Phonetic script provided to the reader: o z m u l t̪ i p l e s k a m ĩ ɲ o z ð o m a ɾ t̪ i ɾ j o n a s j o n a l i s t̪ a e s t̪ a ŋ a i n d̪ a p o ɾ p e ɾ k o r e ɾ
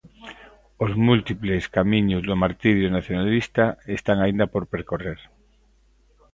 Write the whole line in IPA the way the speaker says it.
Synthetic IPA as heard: o z m u l t̪ i p l e s k a m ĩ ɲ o z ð o m a ɾ t̪ i ɾ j o n a θ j o n a l i s t̪ a e s t̪ a ŋ a i n d̪ a p o ɾ p e ɾ k o r e ɾ